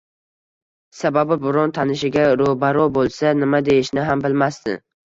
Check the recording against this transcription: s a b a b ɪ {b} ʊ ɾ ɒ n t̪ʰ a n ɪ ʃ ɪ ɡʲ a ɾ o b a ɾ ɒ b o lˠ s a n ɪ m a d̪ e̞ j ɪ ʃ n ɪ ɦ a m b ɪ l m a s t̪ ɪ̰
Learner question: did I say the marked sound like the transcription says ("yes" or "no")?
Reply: yes